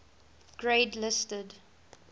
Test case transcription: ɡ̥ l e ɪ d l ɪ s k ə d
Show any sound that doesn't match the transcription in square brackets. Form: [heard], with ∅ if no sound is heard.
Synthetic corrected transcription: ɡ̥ [ɹ] e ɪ d l ɪ s [t] ə d